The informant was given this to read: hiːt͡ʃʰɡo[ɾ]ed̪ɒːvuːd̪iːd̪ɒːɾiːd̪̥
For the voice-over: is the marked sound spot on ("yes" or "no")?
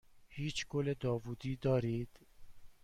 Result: no